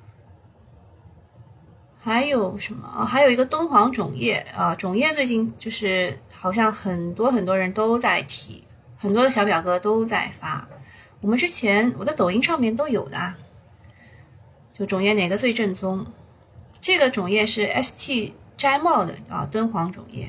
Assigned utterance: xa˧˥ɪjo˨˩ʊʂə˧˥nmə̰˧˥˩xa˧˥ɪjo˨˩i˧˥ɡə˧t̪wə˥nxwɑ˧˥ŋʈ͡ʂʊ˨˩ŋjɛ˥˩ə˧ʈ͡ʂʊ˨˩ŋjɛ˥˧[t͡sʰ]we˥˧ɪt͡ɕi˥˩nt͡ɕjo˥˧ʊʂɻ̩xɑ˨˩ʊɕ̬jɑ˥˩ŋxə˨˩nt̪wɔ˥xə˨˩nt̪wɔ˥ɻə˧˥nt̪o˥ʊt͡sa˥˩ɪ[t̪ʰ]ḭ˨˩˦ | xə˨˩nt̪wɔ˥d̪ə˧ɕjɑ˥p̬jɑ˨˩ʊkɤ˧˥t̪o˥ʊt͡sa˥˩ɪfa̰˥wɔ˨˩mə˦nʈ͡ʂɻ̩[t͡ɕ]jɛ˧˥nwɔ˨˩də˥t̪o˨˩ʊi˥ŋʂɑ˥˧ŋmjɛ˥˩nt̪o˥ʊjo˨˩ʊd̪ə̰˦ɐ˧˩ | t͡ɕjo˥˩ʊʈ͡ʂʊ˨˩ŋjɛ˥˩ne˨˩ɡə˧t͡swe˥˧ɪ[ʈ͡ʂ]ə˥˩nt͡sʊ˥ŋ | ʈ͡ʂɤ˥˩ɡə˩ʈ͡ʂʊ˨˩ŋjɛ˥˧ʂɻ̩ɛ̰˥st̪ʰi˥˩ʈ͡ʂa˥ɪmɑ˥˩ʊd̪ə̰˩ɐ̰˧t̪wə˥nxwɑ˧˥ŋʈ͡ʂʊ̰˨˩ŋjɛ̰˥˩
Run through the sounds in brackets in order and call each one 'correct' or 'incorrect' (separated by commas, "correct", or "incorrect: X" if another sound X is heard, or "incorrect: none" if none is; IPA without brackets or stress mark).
incorrect: t͡s, correct, incorrect: t͡ɕʰ, correct